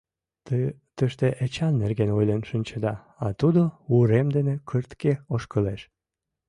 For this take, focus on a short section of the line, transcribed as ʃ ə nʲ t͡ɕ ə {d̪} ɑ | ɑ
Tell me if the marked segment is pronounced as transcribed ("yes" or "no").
yes